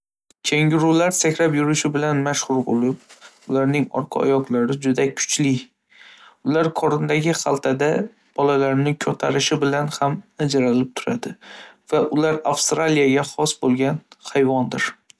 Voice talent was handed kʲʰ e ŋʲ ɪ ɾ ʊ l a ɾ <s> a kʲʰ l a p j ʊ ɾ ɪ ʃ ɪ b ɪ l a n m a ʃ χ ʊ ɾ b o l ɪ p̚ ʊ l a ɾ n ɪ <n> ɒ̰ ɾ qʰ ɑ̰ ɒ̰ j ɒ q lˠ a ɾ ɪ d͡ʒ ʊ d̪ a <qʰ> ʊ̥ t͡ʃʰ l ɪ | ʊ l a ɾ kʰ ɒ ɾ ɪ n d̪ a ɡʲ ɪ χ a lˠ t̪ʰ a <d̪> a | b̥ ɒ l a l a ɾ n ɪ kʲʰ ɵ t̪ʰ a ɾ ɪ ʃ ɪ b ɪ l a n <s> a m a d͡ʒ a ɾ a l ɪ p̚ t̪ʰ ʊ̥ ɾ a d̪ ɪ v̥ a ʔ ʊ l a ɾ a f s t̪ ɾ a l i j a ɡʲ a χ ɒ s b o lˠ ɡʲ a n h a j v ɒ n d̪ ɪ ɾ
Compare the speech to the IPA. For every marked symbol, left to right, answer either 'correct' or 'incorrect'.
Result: correct, incorrect, incorrect, correct, incorrect

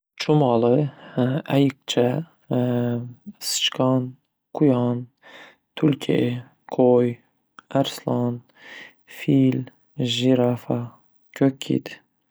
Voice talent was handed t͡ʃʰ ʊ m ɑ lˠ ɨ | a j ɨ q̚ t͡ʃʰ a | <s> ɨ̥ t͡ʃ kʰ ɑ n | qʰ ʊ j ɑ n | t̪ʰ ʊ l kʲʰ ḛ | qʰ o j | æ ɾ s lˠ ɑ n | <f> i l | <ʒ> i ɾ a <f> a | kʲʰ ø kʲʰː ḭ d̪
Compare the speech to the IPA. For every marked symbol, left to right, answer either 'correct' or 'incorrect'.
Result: correct, correct, correct, correct

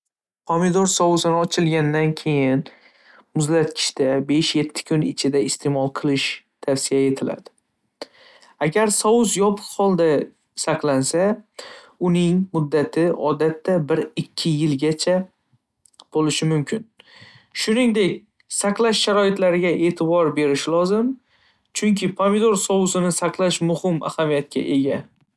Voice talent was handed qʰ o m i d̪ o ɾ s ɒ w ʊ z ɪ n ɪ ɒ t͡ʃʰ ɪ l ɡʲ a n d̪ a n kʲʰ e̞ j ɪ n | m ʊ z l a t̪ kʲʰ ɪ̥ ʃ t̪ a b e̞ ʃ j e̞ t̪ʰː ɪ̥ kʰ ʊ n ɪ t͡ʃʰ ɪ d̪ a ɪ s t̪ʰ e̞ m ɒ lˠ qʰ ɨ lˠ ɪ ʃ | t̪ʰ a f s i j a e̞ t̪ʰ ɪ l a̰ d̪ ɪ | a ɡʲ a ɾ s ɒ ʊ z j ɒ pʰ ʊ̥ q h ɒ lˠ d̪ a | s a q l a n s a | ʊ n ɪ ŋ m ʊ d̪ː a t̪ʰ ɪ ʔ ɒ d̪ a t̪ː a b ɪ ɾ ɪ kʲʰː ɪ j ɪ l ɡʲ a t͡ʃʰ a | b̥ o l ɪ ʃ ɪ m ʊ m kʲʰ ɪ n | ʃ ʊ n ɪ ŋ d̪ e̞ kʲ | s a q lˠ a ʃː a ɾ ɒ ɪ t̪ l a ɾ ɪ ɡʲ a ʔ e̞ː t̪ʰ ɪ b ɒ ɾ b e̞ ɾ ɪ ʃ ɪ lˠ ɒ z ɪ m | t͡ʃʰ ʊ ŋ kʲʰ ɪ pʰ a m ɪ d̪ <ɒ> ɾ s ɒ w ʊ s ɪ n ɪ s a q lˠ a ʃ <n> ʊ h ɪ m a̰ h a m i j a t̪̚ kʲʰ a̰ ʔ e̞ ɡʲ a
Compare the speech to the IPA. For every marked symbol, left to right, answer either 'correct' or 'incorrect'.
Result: incorrect, incorrect

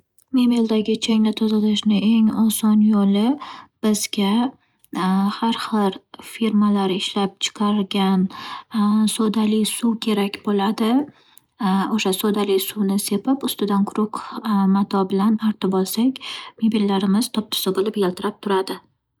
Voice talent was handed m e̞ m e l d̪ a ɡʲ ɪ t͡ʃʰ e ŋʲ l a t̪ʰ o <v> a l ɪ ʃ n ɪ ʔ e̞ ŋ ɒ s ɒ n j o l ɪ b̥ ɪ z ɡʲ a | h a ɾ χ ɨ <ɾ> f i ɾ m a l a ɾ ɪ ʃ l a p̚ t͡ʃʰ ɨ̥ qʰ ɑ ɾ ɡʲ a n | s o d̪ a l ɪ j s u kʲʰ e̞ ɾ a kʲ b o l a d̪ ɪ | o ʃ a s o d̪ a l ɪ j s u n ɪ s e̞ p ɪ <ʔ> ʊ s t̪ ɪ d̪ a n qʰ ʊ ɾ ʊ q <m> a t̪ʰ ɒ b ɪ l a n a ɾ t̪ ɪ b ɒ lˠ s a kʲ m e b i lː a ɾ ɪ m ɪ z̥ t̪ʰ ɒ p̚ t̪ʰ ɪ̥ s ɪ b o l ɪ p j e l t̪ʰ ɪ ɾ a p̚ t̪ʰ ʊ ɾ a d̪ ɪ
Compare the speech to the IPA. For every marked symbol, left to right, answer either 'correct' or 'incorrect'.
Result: incorrect, correct, incorrect, correct

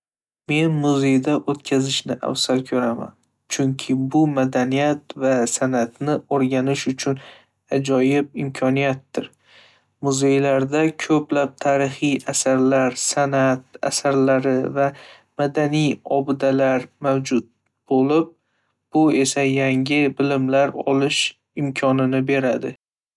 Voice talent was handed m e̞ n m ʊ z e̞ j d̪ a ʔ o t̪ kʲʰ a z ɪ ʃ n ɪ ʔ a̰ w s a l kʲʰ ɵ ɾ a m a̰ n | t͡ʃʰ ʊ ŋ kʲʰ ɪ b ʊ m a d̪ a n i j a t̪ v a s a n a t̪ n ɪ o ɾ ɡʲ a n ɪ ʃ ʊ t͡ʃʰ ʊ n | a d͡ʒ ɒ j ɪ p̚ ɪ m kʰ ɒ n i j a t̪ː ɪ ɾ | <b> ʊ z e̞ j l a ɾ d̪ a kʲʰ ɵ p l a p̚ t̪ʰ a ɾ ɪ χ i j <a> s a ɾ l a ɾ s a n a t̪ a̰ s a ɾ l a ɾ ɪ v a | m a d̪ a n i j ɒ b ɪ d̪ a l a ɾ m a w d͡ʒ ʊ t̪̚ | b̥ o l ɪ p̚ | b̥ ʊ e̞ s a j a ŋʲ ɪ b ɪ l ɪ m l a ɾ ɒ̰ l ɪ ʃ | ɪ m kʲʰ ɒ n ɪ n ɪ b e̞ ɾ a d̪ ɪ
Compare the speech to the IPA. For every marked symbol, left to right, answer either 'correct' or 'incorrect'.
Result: incorrect, correct

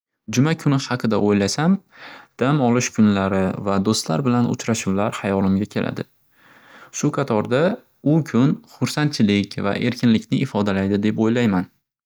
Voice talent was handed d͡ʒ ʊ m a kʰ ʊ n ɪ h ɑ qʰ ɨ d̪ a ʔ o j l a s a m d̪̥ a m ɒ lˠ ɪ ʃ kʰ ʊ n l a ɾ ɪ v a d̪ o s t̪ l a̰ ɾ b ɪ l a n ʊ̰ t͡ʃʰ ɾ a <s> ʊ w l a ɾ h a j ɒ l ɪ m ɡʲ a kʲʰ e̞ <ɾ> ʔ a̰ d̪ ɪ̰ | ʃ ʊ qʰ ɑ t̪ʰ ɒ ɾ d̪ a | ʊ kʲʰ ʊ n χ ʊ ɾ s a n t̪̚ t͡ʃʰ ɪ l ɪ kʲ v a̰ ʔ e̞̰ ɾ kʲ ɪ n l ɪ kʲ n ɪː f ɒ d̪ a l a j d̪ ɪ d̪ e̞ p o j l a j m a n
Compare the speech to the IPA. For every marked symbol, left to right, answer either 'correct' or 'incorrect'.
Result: incorrect, incorrect

